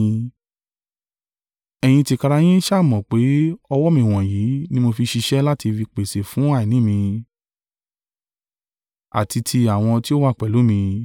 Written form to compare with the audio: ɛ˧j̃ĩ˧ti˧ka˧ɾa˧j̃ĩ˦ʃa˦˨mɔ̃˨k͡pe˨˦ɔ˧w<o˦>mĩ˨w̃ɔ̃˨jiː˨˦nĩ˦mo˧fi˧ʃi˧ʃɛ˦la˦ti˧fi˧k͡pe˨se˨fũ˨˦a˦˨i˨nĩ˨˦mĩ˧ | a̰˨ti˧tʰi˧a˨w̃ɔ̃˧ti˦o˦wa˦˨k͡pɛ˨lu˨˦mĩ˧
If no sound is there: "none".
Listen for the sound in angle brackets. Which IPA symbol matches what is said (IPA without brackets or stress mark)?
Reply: ɔ˦